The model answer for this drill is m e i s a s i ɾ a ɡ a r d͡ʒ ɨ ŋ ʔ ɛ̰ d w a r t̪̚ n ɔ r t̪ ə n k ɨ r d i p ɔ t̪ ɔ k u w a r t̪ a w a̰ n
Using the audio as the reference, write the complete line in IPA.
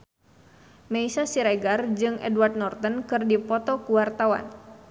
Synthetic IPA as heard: m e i s a s i ɾ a ɡ a r d͡ʒ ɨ ŋ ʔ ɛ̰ d w a r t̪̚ n ɔ r t̪ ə n k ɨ r d i p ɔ t̪ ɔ k u w a r t̪ a w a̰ n